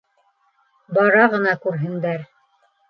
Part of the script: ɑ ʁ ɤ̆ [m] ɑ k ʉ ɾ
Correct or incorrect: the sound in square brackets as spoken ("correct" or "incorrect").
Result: incorrect